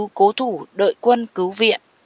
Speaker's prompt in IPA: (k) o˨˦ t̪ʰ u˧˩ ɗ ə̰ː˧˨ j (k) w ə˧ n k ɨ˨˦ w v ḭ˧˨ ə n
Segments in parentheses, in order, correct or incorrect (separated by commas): correct, correct